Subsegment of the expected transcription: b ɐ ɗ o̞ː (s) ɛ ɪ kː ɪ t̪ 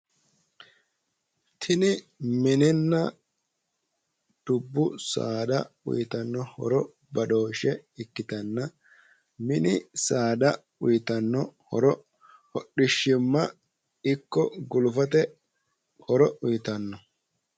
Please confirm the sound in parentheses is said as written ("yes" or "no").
no